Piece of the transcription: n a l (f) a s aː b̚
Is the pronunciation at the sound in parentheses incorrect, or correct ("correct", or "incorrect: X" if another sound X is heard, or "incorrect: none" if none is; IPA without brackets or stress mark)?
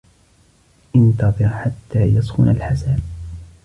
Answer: incorrect: ħ